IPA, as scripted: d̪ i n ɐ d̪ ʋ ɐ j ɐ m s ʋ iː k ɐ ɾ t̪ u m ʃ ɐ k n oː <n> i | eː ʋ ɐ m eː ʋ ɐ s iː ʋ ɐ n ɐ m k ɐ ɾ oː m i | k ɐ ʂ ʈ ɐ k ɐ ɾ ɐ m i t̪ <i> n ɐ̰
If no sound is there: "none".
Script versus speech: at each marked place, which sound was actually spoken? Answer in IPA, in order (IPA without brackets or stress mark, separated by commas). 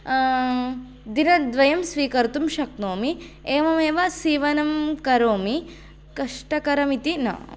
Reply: m, i